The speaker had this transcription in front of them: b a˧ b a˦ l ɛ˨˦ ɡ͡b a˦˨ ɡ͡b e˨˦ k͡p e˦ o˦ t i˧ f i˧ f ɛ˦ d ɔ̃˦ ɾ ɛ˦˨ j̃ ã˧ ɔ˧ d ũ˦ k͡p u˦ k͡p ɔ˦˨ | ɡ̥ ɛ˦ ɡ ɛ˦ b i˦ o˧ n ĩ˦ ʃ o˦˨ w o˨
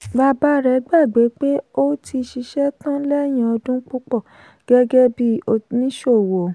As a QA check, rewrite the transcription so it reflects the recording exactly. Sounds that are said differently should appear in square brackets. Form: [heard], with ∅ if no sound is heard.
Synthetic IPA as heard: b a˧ b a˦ [ɾ] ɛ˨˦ ɡ͡b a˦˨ ɡ͡b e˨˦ k͡p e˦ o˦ t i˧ [ʃ] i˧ [ʃ] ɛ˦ [t] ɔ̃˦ [l] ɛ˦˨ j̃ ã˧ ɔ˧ d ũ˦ k͡p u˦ k͡p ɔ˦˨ | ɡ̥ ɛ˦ ɡ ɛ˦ b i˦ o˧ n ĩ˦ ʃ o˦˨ w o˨